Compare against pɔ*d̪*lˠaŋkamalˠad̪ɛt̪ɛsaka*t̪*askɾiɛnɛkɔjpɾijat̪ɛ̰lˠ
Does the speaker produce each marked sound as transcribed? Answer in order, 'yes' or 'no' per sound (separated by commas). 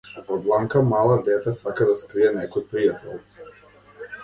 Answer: yes, no